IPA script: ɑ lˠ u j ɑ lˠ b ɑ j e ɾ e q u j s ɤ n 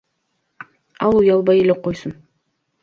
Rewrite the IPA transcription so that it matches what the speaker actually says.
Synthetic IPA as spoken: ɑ lˠ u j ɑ lˠ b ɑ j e l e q o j s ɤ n